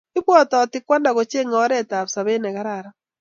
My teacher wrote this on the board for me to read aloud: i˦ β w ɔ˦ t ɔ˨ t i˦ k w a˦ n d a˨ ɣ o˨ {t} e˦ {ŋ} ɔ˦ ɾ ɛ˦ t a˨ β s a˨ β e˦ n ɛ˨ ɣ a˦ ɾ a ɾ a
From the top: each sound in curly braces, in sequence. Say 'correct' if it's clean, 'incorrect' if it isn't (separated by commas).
incorrect, correct